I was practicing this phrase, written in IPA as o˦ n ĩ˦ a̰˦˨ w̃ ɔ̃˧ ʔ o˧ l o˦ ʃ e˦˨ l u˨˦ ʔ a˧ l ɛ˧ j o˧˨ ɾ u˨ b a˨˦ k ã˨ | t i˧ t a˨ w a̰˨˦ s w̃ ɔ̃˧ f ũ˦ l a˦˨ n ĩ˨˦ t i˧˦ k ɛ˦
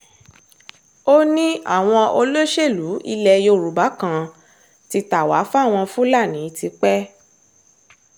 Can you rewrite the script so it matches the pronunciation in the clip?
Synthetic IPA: o˦ n ĩ˦ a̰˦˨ w̃ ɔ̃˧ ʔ o˧ l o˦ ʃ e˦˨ l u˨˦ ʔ i˧ l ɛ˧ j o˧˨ ɾ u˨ b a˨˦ k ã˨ | t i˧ t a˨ w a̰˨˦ f w̃ ɔ̃˧ f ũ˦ l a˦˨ n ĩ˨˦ t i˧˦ k͡p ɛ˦